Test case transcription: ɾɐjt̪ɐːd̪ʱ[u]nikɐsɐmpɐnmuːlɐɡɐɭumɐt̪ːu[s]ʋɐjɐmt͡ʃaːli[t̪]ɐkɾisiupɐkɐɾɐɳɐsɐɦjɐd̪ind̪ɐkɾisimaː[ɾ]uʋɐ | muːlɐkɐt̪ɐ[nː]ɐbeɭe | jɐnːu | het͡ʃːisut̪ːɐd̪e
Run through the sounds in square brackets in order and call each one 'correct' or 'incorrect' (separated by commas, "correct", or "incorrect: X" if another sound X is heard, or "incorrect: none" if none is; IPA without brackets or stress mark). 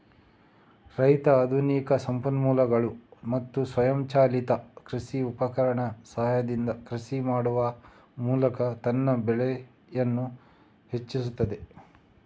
correct, correct, correct, incorrect: ɽ, correct